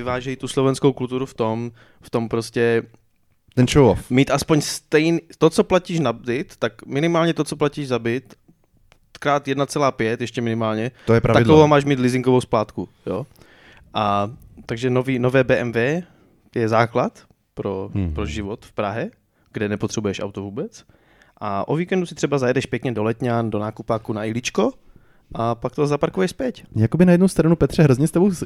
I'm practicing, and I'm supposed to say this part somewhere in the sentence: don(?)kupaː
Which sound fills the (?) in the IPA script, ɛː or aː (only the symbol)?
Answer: aː